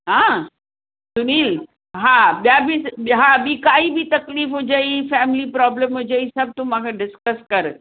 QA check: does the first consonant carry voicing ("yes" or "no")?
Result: yes